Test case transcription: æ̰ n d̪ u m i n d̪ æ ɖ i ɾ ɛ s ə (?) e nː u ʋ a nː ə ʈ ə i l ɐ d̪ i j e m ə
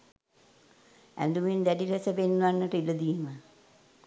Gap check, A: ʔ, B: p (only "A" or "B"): B